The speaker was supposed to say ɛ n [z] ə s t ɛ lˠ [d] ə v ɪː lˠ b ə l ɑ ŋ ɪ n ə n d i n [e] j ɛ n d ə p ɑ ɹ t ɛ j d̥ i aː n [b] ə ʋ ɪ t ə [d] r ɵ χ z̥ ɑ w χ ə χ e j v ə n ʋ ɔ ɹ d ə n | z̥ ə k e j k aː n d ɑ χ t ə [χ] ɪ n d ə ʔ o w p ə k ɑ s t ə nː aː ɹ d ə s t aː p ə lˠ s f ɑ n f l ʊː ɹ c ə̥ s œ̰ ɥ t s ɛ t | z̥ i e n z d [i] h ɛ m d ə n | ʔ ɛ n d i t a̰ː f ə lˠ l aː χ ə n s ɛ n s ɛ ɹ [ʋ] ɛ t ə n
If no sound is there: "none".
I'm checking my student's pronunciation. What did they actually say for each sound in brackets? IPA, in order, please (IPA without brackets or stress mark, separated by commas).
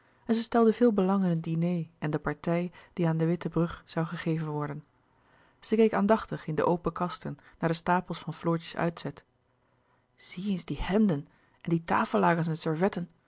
z, d, e, d, b, χ, i, v